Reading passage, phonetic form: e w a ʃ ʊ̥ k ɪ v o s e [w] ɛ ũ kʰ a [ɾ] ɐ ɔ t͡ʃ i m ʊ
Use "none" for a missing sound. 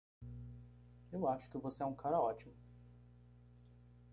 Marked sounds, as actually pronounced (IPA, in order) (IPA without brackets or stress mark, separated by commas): none, ɾ